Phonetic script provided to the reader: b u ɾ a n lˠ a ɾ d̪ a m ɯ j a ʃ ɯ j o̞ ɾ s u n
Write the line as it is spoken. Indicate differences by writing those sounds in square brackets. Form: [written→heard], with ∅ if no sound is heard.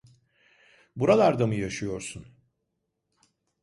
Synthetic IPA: b u ɾ a [n→∅] lˠ a ɾ d̪ a m ɯ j a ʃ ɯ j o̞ ɾ s u n